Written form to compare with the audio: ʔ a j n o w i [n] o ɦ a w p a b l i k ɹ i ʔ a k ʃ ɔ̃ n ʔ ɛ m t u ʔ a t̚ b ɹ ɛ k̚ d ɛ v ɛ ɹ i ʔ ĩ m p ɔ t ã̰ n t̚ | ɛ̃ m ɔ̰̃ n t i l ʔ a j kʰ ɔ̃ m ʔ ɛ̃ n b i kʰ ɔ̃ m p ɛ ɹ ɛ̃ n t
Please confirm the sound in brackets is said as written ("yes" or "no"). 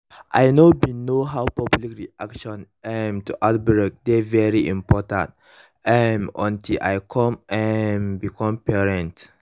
yes